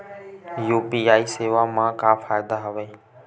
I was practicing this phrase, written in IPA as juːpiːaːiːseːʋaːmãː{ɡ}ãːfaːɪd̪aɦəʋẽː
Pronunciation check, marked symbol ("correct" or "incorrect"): incorrect